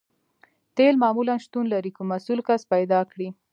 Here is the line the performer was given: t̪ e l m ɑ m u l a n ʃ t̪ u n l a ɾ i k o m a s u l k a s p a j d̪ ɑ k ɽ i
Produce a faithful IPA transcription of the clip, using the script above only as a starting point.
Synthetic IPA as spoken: t̪ e l m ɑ m u l a n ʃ t̪ u n l a ɾ i k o m a s u l k a s p a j d̪ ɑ k ɽ i